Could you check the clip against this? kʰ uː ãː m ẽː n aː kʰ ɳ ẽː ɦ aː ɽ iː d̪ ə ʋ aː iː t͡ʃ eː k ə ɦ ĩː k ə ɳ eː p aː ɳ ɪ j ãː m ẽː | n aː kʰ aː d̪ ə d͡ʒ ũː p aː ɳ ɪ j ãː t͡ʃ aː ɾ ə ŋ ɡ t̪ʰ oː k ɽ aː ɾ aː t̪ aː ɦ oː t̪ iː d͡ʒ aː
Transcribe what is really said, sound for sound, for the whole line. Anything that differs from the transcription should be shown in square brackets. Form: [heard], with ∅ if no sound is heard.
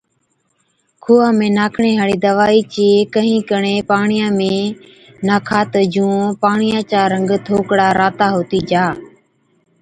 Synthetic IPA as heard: kʰ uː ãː m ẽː n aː kʰ ɳ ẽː ɦ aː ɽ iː d̪ ə ʋ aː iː t͡ʃ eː k ə ɦ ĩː k ə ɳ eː p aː ɳ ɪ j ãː m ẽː | n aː kʰ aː [t̪] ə d͡ʒ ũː p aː ɳ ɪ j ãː t͡ʃ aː ɾ ə ŋ ɡ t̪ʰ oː k ɽ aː ɾ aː t̪ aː ɦ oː t̪ iː d͡ʒ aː